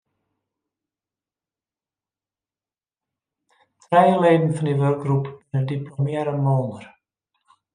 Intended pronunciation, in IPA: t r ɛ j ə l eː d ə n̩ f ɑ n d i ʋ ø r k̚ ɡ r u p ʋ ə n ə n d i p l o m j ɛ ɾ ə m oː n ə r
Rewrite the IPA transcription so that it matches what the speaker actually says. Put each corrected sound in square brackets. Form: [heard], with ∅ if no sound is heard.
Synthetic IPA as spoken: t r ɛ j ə l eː d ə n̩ f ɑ n d i ʋ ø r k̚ ɡ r u p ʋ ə n ə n d i p l o m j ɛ ɾ ə m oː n ə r